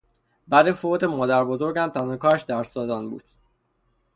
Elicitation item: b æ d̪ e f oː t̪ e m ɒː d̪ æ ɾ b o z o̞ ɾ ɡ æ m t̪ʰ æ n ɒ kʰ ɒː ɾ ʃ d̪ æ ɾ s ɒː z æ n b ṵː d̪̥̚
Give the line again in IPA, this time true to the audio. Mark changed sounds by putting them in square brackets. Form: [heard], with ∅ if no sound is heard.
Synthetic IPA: b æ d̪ e f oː t̪ e m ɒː d̪ æ ɾ b o z o̞ ɾ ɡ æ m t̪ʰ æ n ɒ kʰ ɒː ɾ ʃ d̪ æ ɾ s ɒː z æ n b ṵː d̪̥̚